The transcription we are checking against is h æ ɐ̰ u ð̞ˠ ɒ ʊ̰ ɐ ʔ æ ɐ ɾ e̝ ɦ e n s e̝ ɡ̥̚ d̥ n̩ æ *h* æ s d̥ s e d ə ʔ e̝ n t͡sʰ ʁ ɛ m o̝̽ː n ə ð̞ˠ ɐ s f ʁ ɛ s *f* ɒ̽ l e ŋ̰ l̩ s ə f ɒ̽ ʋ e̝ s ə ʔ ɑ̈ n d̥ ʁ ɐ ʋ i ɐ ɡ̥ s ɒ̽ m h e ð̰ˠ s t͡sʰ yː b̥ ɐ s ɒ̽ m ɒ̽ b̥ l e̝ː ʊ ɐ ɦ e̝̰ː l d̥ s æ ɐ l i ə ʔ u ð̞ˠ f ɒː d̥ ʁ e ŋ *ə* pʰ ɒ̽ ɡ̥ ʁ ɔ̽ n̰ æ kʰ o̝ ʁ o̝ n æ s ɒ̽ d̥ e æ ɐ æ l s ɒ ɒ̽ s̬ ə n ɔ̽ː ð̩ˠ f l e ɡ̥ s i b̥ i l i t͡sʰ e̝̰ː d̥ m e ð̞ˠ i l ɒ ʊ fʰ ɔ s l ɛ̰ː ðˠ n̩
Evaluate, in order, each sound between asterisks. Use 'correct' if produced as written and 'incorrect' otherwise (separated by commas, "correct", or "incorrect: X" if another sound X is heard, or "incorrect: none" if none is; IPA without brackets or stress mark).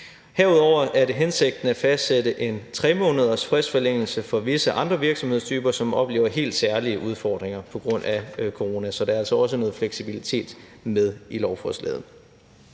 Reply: incorrect: f, correct, incorrect: ɐ